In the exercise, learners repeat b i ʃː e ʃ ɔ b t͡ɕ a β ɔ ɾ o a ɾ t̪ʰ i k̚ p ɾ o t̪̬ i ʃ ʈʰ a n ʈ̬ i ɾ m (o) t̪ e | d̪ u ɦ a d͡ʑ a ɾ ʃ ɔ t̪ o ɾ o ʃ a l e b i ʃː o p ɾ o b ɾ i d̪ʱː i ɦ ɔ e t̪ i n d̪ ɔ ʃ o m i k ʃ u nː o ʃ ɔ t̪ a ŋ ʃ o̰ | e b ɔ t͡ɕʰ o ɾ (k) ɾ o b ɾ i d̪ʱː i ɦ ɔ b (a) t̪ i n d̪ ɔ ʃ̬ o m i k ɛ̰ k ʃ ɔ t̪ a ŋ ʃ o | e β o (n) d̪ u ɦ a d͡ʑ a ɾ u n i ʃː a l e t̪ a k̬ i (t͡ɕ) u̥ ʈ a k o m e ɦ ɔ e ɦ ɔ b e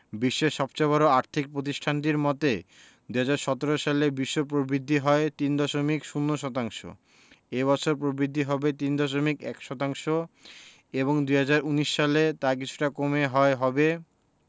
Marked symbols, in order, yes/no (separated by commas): no, no, no, no, no